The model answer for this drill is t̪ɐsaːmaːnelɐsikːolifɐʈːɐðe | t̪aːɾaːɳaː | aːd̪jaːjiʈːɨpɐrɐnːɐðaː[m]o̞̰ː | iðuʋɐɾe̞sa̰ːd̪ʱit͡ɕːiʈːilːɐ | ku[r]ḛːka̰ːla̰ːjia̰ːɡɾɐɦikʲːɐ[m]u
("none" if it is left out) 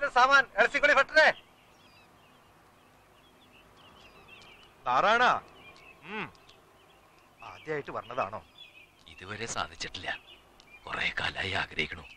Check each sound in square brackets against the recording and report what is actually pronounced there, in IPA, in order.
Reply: ɳ, r, ɳ

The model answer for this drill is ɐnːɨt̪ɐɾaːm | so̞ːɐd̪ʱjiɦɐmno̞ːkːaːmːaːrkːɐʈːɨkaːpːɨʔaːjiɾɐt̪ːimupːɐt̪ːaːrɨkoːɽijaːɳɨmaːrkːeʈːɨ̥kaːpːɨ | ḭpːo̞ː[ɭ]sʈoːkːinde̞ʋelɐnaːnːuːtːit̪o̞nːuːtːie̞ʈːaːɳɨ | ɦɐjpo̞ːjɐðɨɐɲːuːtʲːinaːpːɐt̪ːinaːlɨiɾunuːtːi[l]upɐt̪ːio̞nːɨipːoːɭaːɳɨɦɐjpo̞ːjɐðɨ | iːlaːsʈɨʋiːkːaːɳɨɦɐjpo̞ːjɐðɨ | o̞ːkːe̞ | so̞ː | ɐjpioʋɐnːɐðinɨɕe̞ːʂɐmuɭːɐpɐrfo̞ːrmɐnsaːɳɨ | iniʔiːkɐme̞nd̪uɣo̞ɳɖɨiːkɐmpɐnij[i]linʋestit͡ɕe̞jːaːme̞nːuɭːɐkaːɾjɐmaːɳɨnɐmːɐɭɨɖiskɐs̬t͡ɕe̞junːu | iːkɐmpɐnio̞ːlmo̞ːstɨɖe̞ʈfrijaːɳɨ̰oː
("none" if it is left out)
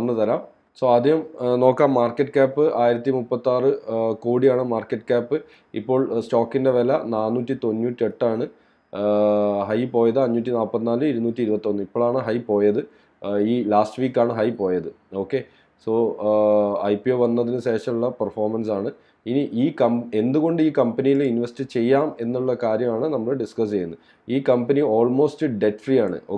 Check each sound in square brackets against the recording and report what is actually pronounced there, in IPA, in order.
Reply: ɭ, ɾ, i

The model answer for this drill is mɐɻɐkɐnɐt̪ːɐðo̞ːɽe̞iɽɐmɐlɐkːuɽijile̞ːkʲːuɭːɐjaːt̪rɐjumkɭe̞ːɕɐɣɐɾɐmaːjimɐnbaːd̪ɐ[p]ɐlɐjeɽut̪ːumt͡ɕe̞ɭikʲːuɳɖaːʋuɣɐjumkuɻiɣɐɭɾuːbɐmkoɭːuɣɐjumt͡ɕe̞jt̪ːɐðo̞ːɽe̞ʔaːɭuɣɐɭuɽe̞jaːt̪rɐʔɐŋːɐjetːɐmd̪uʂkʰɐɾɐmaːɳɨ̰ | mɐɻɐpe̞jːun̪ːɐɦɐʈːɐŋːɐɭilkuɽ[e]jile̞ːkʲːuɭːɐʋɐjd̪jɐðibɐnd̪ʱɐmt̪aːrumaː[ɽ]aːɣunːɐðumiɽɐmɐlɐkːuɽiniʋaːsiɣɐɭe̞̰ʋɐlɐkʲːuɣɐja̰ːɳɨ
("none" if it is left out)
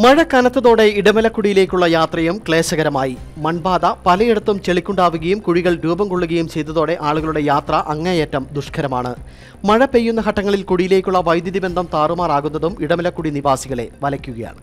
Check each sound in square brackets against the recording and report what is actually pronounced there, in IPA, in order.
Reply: p, i, r

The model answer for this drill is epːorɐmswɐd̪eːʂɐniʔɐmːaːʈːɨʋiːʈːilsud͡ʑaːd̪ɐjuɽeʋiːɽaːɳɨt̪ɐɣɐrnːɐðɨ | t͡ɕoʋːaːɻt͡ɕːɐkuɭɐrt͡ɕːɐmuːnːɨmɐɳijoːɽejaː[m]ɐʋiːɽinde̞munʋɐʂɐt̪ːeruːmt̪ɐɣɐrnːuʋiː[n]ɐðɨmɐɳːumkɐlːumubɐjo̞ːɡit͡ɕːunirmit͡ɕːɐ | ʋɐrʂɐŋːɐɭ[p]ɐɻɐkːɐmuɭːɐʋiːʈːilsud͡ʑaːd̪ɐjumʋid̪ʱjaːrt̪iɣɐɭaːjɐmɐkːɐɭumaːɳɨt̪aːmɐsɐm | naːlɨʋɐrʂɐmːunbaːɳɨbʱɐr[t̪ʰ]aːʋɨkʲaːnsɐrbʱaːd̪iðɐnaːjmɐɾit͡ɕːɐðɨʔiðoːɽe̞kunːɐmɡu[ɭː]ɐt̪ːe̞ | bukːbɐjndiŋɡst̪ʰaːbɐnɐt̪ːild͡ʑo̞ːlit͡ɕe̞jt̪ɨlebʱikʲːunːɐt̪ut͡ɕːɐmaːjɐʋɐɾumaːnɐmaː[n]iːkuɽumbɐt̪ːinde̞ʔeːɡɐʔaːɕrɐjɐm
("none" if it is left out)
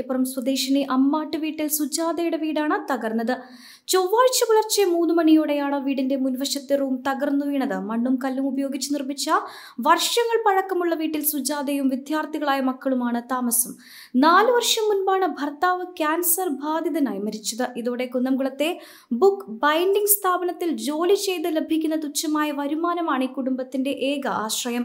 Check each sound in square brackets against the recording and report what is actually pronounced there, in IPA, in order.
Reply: ɳ, ɳ, p, t̪, ɭ, ɳ

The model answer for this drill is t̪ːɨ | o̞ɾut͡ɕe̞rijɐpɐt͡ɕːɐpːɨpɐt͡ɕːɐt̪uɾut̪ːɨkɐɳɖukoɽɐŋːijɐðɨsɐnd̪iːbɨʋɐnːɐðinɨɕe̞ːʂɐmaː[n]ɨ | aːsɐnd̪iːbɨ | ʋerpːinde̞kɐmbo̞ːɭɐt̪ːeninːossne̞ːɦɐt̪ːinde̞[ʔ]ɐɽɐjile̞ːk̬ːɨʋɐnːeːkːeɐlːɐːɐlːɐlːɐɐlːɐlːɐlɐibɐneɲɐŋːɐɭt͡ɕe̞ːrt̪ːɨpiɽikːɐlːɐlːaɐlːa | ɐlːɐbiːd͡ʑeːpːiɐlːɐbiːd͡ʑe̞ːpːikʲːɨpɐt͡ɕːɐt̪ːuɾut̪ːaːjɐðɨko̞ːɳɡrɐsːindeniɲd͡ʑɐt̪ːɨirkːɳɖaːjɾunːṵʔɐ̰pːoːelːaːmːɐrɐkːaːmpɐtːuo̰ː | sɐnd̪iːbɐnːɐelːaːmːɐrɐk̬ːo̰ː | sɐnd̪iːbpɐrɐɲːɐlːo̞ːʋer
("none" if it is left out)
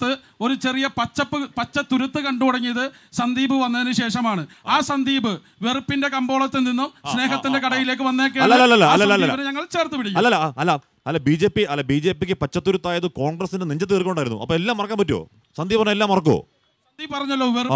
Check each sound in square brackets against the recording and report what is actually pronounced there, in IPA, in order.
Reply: ɳ, k

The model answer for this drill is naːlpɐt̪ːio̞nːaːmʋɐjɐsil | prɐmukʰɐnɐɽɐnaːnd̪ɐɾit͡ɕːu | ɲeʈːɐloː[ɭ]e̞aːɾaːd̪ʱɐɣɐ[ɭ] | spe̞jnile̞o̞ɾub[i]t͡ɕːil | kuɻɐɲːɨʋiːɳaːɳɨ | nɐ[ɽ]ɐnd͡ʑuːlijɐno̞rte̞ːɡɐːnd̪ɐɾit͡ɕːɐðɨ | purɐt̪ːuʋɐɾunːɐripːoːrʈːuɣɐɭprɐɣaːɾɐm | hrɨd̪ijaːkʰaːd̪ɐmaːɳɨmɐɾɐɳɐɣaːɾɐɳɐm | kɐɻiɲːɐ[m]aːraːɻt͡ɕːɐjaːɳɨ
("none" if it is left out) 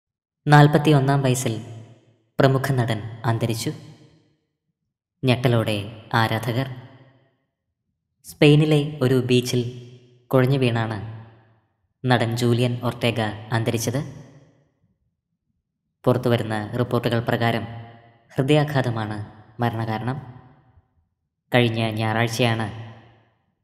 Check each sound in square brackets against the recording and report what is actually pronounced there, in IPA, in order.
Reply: ɽ, r, iː, ɽ, ɲ

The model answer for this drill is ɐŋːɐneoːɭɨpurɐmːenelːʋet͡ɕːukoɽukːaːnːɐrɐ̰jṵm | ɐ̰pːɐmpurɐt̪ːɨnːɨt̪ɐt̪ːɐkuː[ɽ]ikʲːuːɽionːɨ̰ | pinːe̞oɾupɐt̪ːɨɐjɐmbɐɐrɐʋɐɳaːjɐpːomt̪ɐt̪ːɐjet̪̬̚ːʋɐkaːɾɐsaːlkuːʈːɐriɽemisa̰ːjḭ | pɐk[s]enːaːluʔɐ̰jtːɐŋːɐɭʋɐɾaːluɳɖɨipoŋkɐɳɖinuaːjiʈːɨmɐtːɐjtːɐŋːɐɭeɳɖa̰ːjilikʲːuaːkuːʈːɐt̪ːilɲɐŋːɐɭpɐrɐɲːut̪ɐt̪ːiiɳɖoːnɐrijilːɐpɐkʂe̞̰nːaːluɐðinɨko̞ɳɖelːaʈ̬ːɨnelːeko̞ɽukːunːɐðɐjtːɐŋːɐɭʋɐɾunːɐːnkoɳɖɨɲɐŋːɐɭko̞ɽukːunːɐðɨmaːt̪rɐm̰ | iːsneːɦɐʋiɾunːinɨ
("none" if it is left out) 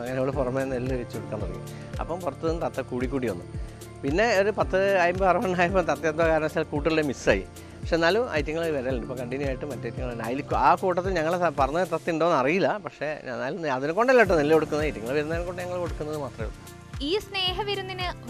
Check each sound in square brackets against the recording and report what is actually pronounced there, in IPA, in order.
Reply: ɽ, ʂ

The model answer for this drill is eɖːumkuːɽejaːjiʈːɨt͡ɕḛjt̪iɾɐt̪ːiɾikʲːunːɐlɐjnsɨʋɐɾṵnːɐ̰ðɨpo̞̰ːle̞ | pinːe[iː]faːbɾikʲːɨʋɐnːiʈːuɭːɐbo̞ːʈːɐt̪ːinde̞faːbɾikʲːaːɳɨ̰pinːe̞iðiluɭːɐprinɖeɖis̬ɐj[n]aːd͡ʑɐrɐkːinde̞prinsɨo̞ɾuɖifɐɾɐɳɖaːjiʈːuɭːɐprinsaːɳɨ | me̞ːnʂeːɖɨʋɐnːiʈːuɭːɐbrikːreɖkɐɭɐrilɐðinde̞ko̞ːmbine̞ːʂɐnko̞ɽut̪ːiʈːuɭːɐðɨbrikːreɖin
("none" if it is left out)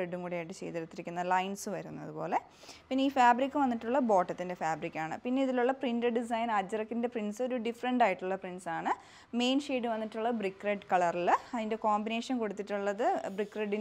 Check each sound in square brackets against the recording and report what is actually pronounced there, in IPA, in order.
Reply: iː, n

